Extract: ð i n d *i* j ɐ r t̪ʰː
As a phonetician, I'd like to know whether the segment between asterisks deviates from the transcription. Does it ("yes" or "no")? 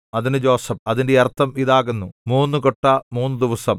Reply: yes